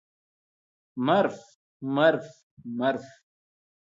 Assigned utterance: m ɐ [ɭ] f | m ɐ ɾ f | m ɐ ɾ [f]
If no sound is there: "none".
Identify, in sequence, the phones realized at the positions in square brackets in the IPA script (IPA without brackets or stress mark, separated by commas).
ɾ, f